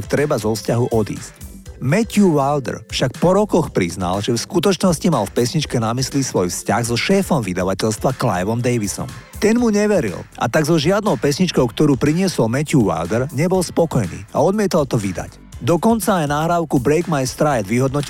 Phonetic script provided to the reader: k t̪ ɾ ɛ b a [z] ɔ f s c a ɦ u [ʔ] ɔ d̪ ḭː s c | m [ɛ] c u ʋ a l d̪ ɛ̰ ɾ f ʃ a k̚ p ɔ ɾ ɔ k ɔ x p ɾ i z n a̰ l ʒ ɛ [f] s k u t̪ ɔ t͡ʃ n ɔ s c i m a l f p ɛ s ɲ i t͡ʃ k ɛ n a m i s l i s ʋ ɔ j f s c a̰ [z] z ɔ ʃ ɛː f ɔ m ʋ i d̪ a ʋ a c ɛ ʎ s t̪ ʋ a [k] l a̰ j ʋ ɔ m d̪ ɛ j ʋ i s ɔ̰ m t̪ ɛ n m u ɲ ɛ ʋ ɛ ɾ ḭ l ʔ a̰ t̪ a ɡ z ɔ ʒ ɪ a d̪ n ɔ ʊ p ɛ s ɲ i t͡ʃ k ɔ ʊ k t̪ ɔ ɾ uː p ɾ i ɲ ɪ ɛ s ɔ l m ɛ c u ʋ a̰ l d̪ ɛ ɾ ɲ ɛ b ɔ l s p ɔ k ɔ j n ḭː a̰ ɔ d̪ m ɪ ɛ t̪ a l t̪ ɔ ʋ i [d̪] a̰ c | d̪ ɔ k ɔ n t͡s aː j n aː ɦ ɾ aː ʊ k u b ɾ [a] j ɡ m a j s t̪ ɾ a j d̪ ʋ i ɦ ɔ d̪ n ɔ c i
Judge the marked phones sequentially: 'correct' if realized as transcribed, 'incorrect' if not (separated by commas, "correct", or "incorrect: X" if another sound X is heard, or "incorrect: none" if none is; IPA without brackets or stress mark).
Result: correct, correct, correct, correct, incorrect: ɣ, correct, correct, incorrect: ɛ